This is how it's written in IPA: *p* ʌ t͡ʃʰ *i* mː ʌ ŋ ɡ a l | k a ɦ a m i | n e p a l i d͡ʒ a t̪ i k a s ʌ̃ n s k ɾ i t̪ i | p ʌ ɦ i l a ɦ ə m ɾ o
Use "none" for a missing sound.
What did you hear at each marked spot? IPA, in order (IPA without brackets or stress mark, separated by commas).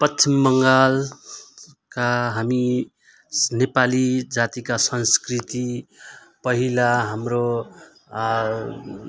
p, i